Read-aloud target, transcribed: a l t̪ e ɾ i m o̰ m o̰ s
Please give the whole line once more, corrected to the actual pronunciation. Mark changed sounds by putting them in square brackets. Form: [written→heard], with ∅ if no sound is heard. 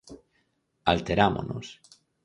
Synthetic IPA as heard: a l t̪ e ɾ [i→a] m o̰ [m→n] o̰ s